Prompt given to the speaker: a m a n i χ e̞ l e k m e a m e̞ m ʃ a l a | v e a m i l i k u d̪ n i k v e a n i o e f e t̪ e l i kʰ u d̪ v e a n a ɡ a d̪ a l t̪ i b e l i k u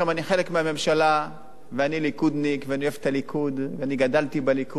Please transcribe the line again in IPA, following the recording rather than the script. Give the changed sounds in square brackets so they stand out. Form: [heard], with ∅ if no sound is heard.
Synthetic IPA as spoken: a m a n i χ e̞ l e k m e a m e̞ m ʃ a l a | v e a [n] i l i k u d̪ n i k v e a n i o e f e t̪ [a] l i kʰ u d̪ v e a n [i] ɡ a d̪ a l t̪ i b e l i k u

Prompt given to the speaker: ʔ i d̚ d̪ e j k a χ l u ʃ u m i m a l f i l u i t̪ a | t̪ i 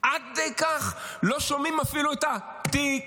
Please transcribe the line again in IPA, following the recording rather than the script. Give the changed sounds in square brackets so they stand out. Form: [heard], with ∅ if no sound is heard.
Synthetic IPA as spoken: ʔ [a] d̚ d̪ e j k a χ l [o] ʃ [o] m i m a [∅] f i l u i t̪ a | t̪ i

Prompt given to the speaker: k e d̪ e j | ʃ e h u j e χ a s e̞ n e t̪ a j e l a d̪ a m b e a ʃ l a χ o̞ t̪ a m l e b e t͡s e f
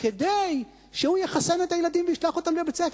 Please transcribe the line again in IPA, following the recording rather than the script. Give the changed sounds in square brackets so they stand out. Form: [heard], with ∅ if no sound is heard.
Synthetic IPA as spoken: k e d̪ e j | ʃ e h u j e χ a s e̞ n e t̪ a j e l a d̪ [i] m [v] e [i] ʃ l a χ o̞ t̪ a m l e b e t͡s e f

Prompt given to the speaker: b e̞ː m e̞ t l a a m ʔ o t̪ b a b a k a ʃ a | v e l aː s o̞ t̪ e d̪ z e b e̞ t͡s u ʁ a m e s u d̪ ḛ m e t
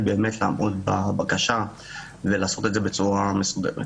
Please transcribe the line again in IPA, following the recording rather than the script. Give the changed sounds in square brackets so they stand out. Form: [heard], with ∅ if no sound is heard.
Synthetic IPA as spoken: b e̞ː m e̞ t l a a m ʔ o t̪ b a b a k a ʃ a | v e l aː s o̞ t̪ e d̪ z e b e̞ t͡s u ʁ a m e s u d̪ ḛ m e t

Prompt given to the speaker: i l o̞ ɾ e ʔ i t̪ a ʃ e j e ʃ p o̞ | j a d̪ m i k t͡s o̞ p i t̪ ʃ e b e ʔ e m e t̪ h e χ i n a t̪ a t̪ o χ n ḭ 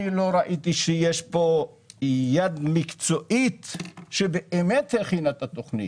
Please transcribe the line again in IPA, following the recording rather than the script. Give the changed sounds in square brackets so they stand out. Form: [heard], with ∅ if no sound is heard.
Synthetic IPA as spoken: i l o̞ ɾ [a] ʔ i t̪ [i] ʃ e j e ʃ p o̞ | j a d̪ m i k t͡s o̞ [ʔ] i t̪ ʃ e b e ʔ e m e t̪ h e χ i n a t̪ a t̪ o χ n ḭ

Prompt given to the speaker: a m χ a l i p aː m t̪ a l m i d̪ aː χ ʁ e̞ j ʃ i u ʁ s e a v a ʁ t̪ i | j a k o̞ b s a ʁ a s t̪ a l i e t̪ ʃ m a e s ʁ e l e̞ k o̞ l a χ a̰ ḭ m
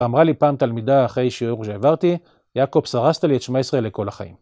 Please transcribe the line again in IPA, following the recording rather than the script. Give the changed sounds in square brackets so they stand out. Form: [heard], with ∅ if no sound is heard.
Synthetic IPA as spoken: a m [ʁ] a l i p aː m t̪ a l m i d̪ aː χ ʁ e̞ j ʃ i u ʁ [ʃ] e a v a ʁ t̪ i | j a k o̞ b s a ʁ a s t̪ a l i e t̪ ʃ m a e s ʁ e l e̞ k o̞ l a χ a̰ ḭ m

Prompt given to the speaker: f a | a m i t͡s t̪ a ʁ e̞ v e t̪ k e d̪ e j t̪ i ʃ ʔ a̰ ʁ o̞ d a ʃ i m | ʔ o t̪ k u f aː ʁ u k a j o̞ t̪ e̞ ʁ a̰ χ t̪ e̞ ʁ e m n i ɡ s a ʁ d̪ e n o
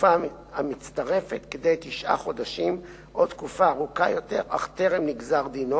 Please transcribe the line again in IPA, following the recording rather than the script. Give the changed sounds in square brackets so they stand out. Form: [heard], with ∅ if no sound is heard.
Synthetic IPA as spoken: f a | a m i t͡s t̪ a ʁ e̞ [f] e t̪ k e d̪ e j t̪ i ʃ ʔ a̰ [χ] o̞ d a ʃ i m | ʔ o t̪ k u f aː ʁ u k a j o̞ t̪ e̞ ʁ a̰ χ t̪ e̞ ʁ e m n i ɡ [z] a ʁ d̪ [i] n o

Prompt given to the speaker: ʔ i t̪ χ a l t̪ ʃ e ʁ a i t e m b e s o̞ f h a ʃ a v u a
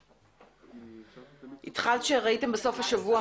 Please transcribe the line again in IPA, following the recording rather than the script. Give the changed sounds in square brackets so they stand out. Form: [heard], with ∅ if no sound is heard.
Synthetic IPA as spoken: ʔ i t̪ χ a l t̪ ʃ e ʁ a i t e m b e s o̞ f h a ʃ a v u a

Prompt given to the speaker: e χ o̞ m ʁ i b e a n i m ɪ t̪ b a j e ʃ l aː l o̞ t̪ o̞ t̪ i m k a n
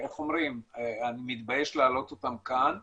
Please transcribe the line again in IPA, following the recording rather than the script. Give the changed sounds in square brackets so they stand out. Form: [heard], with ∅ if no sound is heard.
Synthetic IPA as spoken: e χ o̞ m ʁ i [m] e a n i m [i] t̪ b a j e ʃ l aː l o̞ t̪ o̞ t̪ [a] m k a n

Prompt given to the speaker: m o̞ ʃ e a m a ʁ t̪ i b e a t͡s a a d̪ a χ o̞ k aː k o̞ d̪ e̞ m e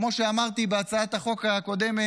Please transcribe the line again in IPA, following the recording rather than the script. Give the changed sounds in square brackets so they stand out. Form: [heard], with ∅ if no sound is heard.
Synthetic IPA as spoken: m o̞ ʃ e a m a ʁ t̪ i b e a t͡s a a [t̪] a χ o̞ k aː k o̞ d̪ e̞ m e

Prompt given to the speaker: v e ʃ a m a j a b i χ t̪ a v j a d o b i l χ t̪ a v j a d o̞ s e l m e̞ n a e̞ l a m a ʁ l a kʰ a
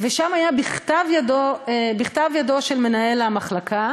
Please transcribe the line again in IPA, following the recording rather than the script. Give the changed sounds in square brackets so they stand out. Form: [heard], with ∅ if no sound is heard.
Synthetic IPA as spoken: v e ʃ a m a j a b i χ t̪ a v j a d o b i [∅] χ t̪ a v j a d o̞ [ʃ] e l m e̞ n a e̞ l a m a [χ] l a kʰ a

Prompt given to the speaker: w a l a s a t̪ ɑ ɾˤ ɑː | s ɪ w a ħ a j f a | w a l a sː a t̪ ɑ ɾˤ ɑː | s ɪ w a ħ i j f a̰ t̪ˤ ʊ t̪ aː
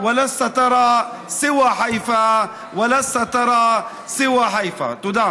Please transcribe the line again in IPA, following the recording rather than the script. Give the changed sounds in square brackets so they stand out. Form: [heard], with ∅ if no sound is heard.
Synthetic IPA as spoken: w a l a s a t̪ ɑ ɾˤ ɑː | s ɪ w a ħ a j f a | w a l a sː a t̪ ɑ ɾˤ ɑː | s ɪ w a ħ [a] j f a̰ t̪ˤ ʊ [d̪] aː

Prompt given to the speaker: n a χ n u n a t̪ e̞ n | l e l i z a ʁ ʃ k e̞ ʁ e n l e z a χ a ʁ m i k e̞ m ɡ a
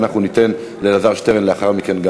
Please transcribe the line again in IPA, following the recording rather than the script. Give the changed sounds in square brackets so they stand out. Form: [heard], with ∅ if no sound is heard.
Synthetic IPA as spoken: n a χ n u n [i] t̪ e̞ n | l e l [a] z a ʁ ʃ [t] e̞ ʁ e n l e [∅] a χ a ʁ m i k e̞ [n] ɡ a

